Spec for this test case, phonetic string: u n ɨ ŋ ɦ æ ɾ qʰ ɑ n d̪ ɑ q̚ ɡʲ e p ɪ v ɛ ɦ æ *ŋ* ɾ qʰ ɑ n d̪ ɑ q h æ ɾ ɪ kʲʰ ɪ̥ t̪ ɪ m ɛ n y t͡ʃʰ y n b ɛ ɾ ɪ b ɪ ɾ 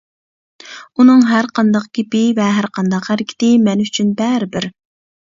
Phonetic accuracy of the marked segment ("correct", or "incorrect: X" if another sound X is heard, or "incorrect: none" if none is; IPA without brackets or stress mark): incorrect: none